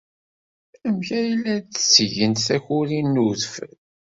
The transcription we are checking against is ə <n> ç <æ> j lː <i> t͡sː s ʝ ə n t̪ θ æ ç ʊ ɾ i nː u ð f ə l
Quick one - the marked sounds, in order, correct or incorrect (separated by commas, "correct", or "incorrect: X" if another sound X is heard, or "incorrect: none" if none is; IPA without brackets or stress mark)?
incorrect: m, correct, incorrect: æ